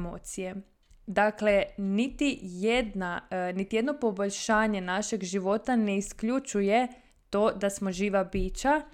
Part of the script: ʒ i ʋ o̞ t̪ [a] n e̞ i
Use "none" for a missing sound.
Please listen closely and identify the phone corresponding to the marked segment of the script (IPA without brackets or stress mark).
a